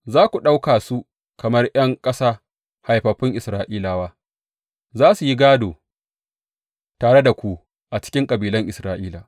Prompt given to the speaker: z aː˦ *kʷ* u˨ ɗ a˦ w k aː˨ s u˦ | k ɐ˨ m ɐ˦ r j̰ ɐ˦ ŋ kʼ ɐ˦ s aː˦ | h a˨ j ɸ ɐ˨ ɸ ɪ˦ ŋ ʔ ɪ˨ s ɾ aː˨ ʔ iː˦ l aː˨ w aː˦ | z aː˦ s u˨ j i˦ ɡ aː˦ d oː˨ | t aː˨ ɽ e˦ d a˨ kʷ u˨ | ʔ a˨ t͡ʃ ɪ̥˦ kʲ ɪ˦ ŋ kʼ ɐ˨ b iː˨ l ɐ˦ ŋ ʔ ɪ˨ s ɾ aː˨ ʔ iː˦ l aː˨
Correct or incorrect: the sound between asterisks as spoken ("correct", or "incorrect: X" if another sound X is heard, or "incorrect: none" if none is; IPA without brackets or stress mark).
correct